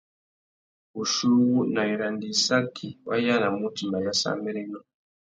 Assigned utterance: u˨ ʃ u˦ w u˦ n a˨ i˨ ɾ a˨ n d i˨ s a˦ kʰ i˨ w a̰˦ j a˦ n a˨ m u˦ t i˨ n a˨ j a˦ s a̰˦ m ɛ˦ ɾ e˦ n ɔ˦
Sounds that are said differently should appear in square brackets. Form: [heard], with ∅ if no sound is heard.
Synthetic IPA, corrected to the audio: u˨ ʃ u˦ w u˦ n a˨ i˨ ɾ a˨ n d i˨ s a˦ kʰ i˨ w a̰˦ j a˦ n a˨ m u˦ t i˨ [m] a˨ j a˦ s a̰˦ m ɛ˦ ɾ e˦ n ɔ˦

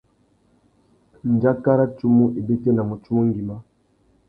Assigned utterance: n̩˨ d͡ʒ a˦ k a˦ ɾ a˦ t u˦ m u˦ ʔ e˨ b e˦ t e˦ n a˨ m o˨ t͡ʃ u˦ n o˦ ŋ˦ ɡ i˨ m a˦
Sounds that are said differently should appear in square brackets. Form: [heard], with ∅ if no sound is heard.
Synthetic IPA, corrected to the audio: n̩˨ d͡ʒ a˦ k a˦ ɾ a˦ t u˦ m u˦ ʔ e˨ b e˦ t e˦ n a˨ m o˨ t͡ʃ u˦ [m] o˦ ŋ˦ ɡ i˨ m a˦

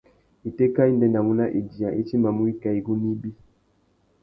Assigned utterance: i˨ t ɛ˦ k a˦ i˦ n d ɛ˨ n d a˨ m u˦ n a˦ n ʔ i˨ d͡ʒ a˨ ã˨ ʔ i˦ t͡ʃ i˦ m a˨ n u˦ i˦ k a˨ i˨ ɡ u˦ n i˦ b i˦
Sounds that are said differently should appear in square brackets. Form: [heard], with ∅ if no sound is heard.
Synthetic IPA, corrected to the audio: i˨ t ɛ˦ k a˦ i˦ n d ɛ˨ n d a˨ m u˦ n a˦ [∅] ʔ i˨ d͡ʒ [i˨] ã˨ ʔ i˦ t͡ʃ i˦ m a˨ [m] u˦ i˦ k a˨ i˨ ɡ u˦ n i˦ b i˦

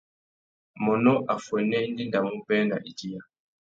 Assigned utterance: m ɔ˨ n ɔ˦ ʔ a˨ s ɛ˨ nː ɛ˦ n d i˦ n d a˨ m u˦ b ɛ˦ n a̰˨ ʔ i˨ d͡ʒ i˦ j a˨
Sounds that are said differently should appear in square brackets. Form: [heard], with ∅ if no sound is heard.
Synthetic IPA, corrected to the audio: m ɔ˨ n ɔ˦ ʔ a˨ [f] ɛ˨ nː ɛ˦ n d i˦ n d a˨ m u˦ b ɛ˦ n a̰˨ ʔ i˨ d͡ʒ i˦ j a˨

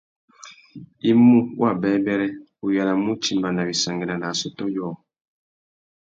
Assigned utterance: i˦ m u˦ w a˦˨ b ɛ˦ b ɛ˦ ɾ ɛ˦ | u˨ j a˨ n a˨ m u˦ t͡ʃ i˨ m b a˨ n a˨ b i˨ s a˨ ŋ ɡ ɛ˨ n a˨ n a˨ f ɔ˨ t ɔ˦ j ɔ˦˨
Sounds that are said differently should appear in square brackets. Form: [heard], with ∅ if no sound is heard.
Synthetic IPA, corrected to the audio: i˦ m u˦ w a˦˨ b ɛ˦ b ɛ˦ ɾ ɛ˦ | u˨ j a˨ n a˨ m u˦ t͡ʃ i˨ m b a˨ n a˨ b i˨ s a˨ ŋ ɡ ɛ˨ n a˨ n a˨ [s] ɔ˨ t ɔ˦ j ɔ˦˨

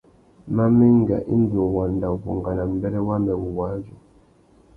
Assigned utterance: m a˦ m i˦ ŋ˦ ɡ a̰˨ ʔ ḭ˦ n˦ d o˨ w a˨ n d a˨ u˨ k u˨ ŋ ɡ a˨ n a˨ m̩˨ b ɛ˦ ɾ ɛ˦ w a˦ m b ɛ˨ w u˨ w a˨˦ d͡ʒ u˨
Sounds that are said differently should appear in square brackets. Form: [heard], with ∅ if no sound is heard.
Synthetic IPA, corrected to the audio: m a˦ m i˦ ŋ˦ ɡ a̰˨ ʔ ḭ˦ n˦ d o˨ w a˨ n d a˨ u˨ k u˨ ŋ ɡ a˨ n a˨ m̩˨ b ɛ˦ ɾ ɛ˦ w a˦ m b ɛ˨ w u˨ w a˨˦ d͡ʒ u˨

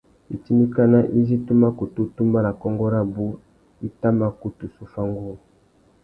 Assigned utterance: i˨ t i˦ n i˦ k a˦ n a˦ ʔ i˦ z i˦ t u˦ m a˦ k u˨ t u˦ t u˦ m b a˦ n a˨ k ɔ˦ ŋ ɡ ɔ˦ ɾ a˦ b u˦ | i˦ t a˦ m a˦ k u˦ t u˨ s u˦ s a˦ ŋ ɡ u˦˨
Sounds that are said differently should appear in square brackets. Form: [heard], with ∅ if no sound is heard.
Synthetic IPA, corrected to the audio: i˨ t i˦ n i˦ k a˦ n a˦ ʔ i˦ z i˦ t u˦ m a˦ k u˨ t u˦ t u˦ m b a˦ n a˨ k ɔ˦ ŋ ɡ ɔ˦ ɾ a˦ b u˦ | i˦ t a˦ m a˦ k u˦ t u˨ s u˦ [f] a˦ ŋ ɡ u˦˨

